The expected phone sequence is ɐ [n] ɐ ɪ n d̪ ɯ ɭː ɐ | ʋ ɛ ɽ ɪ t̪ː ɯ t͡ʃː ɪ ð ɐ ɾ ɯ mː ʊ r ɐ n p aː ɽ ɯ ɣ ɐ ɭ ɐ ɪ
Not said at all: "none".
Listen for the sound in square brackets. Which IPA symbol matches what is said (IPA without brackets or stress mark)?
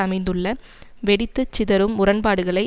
m